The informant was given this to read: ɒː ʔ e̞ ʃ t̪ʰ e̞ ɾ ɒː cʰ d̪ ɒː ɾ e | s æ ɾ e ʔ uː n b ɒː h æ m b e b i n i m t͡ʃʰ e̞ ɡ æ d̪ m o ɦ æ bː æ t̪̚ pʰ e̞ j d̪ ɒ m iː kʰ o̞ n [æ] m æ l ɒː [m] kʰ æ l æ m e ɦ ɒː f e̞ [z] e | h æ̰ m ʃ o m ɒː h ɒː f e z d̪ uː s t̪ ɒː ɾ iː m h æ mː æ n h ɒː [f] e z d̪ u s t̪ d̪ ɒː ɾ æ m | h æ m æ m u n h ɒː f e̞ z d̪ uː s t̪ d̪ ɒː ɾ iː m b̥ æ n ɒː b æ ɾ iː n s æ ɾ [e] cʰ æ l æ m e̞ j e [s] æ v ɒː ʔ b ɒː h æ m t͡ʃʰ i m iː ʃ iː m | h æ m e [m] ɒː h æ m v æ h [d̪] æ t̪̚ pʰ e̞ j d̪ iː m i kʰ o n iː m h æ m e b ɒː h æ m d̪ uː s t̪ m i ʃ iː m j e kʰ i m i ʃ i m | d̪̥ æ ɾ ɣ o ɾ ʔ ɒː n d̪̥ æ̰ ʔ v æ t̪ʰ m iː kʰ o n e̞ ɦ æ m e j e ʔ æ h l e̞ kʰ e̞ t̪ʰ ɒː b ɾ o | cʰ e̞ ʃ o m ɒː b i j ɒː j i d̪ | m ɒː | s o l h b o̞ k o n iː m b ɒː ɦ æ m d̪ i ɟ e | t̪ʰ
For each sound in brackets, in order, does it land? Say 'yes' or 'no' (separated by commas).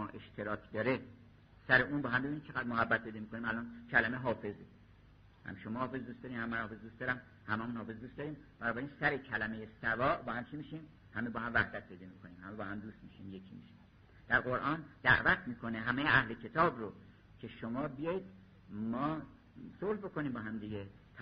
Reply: no, no, yes, yes, yes, yes, no, yes